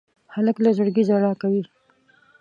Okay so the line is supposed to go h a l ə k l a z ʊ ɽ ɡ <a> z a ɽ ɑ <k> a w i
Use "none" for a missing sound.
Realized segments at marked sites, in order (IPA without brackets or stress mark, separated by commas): i, k